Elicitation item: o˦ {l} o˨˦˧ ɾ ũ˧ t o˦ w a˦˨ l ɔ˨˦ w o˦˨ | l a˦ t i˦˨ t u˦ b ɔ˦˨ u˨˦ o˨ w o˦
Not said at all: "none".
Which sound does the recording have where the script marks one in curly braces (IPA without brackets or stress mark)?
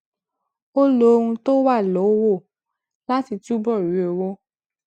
l